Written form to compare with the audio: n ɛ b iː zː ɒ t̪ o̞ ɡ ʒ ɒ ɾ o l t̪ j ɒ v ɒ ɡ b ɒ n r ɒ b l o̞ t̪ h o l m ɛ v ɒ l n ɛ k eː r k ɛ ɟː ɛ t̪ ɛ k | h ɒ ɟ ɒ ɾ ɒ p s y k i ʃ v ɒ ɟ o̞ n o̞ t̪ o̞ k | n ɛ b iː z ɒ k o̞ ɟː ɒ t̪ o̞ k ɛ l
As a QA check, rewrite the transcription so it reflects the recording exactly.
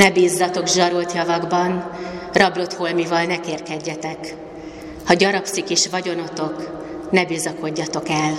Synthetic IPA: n ɛ b iː zː ɒ t̪ o̞ ɡ ʒ ɒ ɾ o l t̪ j ɒ v ɒ ɡ b ɒ n r ɒ b l o̞ t̪ h o l m i v ɒ l n ɛ k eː r k ɛ ɟː ɛ t̪ ɛ k | h ɒ ɟ ɒ ɾ ɒ p s i k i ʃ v ɒ ɟ o̞ n o̞ t̪ o̞ k | n ɛ b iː z ɒ k o̞ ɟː ɒ t̪ o̞ k ɛ l